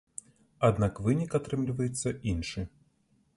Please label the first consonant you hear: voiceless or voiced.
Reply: voiced